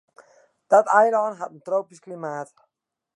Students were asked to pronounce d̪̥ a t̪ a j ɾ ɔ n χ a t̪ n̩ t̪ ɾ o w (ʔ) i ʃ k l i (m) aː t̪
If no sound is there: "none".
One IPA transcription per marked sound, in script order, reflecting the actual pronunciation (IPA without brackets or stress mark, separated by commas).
p, m